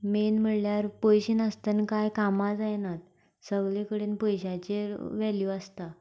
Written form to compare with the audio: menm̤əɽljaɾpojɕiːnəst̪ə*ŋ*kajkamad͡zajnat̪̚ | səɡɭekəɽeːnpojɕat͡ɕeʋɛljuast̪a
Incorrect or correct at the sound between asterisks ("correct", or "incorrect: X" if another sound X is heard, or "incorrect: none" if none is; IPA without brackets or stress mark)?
incorrect: n